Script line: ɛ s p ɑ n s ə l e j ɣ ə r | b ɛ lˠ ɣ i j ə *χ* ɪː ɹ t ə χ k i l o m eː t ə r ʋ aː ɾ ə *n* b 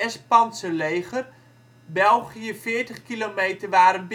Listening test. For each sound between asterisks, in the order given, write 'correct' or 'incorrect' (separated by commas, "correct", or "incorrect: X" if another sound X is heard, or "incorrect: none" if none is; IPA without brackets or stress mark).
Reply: incorrect: f, correct